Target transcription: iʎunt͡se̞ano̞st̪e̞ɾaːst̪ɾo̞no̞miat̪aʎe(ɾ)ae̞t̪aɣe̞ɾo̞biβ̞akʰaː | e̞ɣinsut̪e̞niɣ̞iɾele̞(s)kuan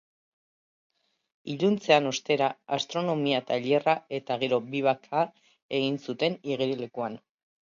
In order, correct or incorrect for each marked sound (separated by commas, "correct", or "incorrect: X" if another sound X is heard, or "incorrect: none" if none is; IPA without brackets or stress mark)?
incorrect: r, incorrect: none